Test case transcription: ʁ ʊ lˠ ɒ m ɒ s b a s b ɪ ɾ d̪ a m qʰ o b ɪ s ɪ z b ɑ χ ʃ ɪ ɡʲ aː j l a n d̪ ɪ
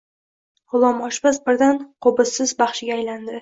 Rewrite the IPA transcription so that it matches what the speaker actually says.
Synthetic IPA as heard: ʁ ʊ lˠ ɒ m ɒ ʃ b a s b ɪ ɾ d̪ a n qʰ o b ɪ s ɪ z b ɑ χ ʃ ɪ ɡʲ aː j l a n d̪ ɪ